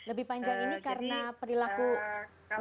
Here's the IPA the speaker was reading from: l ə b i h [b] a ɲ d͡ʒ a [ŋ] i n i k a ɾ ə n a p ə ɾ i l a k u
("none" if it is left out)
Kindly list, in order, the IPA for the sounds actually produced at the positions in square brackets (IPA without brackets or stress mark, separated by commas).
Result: p, ŋ